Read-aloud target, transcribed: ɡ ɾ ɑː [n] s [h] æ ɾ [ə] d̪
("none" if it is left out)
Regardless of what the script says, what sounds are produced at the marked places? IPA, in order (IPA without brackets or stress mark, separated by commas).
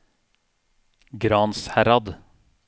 n, h, ɑ